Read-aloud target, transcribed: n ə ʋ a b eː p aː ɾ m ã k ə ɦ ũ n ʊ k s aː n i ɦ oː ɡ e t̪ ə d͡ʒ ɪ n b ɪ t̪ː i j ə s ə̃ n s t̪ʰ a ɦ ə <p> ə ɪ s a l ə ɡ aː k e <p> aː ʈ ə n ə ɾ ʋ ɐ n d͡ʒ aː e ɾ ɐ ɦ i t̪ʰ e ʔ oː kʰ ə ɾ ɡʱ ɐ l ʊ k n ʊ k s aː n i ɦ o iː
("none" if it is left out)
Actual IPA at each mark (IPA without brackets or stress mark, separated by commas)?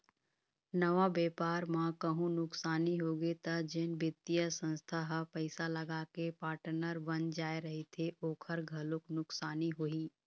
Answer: p, p